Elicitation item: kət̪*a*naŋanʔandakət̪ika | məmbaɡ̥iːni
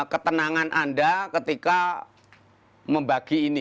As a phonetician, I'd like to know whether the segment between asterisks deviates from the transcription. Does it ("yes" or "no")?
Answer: yes